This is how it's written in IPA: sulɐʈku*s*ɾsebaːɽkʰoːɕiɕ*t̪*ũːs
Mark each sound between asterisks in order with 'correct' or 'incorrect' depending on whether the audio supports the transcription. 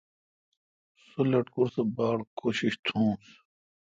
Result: incorrect: none, incorrect: t̪ʰ

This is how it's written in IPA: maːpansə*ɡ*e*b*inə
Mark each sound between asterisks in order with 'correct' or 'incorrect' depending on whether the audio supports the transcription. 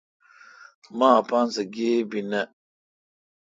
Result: correct, correct

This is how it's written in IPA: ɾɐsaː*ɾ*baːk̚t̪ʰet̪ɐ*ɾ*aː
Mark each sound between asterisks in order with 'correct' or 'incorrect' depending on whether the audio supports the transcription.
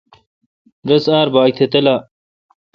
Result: correct, incorrect: l

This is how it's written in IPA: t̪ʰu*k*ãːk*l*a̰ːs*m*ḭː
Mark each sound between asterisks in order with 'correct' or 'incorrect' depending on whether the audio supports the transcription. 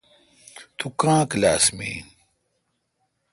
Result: correct, correct, correct

